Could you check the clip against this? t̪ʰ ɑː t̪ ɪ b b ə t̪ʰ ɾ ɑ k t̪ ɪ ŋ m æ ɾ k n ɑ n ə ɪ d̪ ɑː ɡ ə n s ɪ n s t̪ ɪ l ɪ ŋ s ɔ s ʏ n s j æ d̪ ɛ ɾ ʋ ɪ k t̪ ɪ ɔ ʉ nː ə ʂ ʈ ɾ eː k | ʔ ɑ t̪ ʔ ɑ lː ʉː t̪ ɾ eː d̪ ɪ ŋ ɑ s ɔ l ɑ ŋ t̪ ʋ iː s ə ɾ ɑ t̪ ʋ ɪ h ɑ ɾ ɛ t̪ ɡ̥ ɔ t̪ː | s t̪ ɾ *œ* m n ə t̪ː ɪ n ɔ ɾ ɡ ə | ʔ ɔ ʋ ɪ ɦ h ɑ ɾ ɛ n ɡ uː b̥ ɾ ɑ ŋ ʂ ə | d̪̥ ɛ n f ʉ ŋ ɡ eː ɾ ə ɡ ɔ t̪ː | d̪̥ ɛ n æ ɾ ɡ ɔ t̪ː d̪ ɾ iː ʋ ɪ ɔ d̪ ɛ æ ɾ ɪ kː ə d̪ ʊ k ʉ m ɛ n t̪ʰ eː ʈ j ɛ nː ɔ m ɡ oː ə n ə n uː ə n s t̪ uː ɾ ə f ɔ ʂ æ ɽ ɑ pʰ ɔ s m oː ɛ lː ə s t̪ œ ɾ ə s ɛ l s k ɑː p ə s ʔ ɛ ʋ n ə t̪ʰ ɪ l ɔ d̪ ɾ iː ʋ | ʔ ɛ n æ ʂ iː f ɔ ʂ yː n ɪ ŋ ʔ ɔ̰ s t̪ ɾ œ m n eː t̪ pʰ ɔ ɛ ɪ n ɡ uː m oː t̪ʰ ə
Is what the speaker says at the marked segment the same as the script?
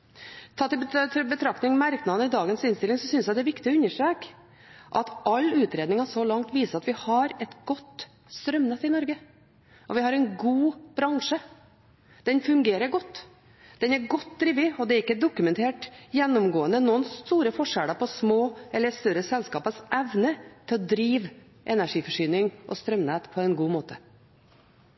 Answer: yes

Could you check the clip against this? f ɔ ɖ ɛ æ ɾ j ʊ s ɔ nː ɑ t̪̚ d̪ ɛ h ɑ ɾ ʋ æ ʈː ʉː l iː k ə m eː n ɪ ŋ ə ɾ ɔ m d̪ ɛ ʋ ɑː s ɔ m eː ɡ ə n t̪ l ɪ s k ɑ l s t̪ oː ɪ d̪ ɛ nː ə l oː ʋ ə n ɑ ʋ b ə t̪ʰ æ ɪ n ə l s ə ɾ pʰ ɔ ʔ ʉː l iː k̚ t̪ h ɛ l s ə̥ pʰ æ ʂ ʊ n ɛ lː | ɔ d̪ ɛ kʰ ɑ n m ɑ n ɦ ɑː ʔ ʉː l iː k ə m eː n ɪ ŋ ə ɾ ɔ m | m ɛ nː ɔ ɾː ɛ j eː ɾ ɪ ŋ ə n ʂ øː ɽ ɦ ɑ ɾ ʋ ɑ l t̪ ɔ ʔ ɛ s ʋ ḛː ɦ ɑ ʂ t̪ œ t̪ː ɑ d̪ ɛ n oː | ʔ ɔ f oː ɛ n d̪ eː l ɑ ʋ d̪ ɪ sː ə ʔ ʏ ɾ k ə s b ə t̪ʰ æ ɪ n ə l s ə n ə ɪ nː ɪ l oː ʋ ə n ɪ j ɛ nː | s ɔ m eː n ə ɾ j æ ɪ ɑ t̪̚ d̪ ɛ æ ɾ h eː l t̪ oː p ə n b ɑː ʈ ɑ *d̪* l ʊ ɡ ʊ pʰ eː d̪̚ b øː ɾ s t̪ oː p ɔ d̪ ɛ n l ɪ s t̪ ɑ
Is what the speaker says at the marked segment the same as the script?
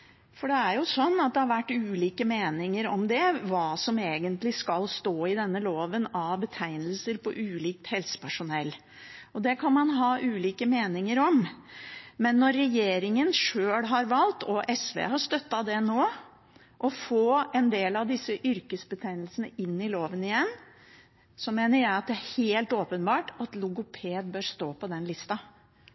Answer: no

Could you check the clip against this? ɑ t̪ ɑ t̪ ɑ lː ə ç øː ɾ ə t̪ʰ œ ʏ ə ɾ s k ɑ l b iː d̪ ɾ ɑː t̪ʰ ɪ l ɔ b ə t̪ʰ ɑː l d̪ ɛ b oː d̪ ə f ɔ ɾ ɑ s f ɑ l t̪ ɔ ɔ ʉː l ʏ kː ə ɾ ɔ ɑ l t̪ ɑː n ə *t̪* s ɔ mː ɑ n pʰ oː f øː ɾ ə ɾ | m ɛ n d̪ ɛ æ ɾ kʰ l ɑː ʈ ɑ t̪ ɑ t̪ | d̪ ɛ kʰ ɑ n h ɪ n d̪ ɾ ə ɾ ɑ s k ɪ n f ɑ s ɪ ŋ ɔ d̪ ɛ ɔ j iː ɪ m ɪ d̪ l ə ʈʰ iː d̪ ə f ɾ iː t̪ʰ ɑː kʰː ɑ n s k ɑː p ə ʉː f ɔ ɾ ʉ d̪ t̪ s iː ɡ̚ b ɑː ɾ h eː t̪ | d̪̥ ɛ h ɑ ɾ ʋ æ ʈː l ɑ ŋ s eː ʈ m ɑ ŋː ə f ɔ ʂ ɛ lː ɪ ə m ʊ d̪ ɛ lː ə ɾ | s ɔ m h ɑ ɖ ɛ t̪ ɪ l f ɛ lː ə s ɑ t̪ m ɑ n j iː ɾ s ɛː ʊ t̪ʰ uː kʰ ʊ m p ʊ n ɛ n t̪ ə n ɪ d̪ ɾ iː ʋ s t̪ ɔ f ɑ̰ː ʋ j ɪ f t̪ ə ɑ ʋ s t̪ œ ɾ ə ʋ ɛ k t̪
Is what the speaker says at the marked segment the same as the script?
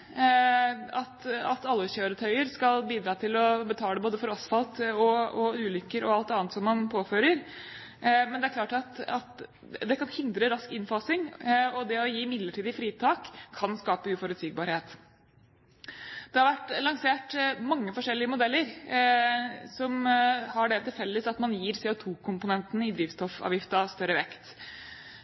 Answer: yes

